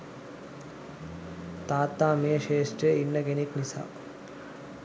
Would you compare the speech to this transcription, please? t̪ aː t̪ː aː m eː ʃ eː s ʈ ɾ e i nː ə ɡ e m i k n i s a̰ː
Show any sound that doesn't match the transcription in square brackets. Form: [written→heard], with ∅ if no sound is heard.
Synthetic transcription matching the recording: t̪ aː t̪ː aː m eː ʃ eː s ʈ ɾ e i nː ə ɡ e [m→n] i k n i s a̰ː